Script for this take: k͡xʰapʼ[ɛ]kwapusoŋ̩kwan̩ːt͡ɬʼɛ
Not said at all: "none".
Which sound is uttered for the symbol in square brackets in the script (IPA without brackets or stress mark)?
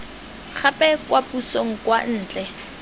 ɛ